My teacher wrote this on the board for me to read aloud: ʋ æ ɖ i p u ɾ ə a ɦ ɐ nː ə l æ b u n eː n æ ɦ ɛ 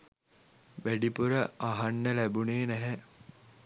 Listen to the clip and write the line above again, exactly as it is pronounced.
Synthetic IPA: ʋ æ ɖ i p u ɾ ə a ɦ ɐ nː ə l æ b u n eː n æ ɦ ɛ